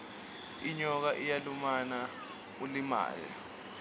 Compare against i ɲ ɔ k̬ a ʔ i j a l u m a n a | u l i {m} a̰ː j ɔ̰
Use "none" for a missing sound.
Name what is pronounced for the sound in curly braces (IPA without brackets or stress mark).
m